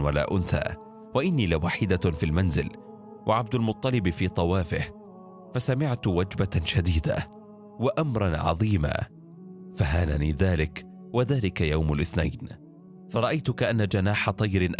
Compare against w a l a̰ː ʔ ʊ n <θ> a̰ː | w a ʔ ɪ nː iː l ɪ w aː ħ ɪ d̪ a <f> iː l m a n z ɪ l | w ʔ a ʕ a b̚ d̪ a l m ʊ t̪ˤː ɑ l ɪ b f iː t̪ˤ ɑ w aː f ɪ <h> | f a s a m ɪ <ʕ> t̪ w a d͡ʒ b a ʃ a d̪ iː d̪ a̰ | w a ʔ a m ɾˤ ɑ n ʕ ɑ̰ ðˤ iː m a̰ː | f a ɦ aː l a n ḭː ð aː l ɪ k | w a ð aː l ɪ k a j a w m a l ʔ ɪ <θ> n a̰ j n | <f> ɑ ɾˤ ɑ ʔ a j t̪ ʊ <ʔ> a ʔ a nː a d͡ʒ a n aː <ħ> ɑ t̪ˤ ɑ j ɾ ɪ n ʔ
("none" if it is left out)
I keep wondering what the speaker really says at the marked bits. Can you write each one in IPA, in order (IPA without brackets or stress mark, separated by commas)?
θ, f, h, ʕ, θ, f, k, ħ